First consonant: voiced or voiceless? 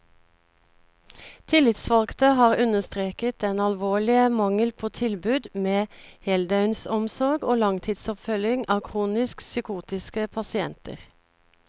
voiceless